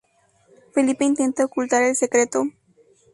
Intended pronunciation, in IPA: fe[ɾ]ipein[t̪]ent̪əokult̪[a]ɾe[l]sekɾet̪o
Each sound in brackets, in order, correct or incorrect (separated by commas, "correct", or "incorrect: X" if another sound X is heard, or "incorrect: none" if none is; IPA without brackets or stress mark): incorrect: l, correct, correct, correct